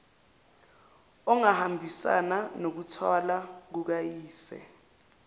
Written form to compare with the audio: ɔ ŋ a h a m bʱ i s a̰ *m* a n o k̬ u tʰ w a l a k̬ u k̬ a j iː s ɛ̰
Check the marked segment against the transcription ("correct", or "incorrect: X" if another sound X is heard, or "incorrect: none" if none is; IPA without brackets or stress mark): incorrect: n